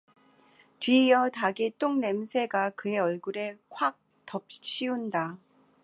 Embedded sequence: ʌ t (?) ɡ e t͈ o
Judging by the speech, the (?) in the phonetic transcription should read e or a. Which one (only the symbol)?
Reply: a